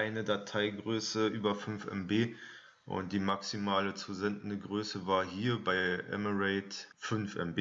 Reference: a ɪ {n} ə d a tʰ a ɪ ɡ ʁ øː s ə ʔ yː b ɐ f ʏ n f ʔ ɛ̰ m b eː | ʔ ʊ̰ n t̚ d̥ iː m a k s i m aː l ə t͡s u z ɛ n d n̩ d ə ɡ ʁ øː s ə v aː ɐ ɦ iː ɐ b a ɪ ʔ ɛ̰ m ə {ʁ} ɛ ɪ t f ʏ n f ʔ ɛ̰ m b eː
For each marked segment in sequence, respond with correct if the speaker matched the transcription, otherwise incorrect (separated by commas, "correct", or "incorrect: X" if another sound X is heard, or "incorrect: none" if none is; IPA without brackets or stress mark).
correct, correct